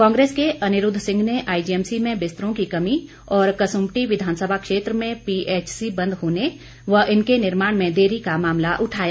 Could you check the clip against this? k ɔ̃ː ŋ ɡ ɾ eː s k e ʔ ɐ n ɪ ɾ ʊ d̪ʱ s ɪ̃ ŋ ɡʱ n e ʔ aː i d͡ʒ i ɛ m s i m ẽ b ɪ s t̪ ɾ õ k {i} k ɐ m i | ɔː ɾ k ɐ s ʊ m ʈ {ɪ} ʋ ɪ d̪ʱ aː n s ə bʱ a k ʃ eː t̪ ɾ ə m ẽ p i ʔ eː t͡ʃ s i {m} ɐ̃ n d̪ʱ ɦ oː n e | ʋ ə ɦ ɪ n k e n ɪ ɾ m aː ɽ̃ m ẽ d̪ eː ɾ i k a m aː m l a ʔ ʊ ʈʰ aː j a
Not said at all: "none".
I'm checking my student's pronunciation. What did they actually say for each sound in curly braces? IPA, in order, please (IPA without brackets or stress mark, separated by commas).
i, i, b